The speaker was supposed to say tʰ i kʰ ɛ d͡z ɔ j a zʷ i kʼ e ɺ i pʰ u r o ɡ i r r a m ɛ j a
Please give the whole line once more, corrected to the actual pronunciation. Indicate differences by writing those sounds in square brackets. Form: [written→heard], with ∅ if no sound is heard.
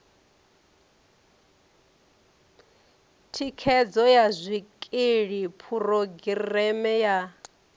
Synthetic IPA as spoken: tʰ i kʰ ɛ d͡z ɔ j a zʷ i kʼ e ɺ i pʰ u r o ɡ i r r [a→ɛ] m ɛ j a